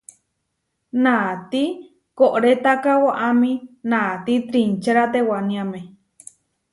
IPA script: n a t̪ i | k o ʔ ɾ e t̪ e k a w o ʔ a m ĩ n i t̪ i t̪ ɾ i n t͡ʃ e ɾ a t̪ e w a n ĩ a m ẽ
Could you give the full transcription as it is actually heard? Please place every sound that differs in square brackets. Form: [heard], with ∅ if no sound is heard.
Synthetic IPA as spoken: n a t̪ i | k o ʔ ɾ e t̪ [a] k a w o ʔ a m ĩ n [a] t̪ i t̪ ɾ i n t͡ʃ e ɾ a t̪ e w a n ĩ a m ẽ